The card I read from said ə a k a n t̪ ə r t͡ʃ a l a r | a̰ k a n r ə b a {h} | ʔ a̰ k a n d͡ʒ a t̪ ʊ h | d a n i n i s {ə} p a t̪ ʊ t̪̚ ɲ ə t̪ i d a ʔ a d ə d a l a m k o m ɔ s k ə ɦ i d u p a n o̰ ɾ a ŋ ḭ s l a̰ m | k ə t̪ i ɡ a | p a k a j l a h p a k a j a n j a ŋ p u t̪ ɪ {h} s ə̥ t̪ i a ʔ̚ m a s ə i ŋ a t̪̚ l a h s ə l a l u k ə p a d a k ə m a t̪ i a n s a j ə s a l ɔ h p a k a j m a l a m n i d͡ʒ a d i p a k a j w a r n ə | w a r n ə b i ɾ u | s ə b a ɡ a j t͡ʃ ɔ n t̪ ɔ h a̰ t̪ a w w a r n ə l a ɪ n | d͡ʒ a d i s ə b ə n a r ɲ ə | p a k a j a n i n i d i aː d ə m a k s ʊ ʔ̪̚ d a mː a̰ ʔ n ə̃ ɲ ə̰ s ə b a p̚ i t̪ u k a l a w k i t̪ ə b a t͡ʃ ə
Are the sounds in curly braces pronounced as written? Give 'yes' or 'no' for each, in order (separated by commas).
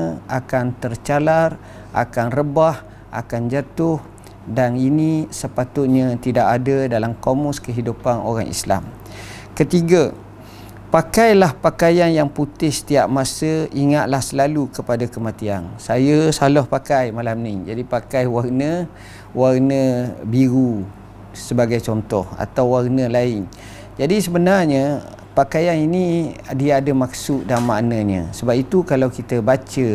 yes, yes, yes